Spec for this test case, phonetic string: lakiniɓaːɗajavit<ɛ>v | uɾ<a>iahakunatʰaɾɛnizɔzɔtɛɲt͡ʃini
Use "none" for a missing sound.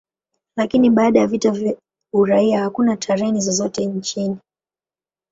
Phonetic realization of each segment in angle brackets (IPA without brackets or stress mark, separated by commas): a, a